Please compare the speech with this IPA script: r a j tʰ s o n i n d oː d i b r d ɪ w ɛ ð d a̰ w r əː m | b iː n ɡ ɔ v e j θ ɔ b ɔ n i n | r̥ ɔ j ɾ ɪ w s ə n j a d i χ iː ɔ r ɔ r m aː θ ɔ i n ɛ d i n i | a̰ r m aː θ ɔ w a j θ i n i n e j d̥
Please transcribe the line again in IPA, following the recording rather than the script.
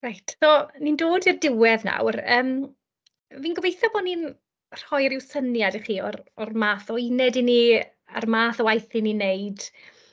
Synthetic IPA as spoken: r a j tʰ s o n i n d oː d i r d ɪ w ɛ ð n a̰ w r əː m | v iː n ɡ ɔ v e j θ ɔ b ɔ n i n | r̥ ɔ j ɾ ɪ w s ə n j a d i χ iː ɔ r ɔ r m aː θ ɔ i n ɛ d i n i | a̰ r m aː θ ɔ w a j θ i n i n e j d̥

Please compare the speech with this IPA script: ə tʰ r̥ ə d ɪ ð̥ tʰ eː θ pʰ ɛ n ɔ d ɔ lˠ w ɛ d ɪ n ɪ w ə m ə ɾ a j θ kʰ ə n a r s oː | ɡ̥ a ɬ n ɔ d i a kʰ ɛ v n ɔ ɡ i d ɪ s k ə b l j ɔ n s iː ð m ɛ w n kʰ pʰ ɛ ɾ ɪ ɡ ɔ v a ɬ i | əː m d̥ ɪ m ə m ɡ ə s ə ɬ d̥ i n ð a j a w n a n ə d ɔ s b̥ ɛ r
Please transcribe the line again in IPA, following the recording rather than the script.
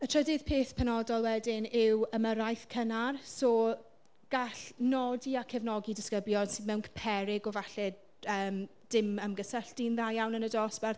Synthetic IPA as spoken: ə tʰ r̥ ə d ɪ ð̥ pʰ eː θ pʰ ɛ n ɔ d ɔ lˠ w ɛ d ɪ n ɪ w ə m ə ɾ a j θ kʰ ə n a r s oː | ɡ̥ a ɬ n ɔ d i a kʰ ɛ v n ɔ ɡ i d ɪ s k ə b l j ɔ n s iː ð m ɛ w n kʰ pʰ ɛ ɾ ɪ ɡ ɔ v a ɬ ɛ | əː m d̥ ɪ m ə m ɡ ə s ə ɬ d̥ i n ð a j a w n ə n ə d ɔ s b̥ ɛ r

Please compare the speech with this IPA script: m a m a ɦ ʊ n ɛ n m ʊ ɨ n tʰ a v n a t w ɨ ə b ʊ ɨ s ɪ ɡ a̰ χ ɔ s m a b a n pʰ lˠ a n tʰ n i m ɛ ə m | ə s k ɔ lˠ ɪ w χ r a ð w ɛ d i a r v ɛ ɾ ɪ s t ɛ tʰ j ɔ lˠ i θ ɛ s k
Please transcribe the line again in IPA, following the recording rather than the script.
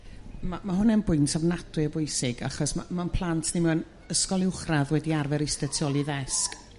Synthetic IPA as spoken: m a m a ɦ ʊ n ɛ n b ʊ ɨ n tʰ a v n a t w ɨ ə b ʊ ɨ s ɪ ɡ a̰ χ ɔ s m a m a n pʰ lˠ a n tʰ n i m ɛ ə n | ə s k ɔ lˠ ɪ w χ r a ð w ɛ d i a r v ɛ ɾ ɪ s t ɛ tʰ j ɔ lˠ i ð ɛ s k

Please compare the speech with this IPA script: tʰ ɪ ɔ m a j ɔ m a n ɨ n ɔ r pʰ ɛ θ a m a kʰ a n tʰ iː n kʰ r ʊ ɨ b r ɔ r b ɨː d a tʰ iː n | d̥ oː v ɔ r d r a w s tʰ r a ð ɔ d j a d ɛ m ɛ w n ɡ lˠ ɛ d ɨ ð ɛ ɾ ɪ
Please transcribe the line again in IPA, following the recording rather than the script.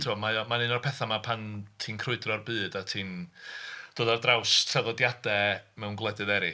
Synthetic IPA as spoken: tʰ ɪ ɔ m a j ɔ m a n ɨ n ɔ r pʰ ɛ θ a m a pʰ a n tʰ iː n kʰ r ʊ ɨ d r ɔ r b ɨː d a tʰ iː n | d̥ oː ð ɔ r d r a w s tʰ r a ð ɔ d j a d ɛ m ɛ w n ɡ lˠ ɛ d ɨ ð ɛ ɾ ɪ

